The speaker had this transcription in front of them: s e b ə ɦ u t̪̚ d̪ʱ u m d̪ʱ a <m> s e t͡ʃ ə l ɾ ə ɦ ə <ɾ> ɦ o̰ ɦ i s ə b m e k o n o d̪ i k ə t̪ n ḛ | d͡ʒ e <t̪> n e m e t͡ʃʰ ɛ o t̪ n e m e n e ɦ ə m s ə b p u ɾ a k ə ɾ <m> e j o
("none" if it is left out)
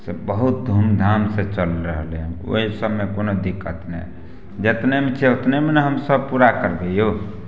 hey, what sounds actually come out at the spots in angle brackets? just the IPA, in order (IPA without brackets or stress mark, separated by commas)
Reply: m, l, t̪, b